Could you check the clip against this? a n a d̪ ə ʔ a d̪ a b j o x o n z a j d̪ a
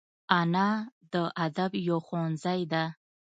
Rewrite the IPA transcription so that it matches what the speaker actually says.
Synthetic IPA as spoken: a n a d̪ ə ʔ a d̪ a b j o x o n z a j d̪ a